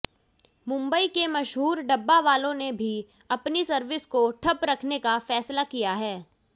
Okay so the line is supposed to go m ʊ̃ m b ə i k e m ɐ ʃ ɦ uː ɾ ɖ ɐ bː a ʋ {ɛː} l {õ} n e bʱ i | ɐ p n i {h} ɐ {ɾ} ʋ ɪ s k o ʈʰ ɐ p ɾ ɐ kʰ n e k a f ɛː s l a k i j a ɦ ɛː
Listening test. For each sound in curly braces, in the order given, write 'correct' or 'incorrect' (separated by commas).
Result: incorrect, correct, incorrect, correct